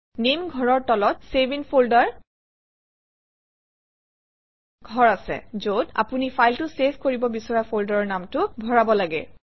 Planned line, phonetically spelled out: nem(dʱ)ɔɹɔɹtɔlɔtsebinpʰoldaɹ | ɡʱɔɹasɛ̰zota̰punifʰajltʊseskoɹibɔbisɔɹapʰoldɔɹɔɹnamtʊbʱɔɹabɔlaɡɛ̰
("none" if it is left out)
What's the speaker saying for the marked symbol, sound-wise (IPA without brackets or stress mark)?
ɡʱ